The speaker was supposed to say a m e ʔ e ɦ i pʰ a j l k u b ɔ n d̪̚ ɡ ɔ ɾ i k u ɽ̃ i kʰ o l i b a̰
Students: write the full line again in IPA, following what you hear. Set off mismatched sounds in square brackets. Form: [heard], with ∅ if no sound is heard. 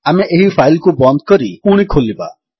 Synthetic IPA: a m e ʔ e ɦ i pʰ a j l k u b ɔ n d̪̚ [k] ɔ ɾ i k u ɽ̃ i kʰ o l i b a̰